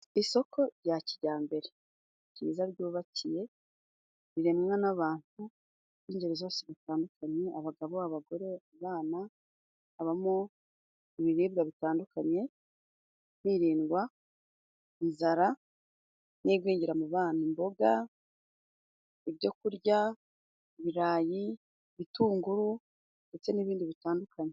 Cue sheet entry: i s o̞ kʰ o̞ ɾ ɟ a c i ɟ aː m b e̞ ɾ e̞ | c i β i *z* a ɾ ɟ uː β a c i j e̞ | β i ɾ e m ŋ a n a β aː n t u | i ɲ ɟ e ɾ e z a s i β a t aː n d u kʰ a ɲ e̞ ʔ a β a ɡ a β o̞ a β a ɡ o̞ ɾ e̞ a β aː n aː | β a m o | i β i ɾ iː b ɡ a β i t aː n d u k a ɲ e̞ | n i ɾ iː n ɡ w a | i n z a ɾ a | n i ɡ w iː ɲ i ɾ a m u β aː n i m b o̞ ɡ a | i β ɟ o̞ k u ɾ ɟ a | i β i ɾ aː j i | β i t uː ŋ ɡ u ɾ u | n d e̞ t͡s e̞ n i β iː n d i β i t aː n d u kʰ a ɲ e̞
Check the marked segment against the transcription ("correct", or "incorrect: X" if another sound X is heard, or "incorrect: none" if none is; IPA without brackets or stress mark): correct